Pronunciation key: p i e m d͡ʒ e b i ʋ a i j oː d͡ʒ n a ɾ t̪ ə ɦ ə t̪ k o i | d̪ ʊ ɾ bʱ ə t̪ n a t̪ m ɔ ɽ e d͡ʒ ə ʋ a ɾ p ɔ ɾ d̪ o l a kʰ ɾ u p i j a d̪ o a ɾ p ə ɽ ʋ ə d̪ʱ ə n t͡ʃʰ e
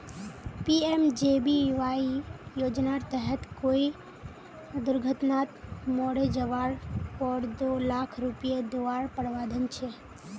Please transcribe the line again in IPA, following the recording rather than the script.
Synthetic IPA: p i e m d͡ʒ e b i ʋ a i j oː d͡ʒ n a ɾ t̪ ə ɦ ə t̪ k o i | d̪ ʊ ɾ ɡʱ ə t̪ n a t̪ m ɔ ɽ e d͡ʒ ə ʋ a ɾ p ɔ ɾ d̪ o l a kʰ ɾ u p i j e d̪ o a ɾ p ə ɽ ʋ a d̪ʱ ə n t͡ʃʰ e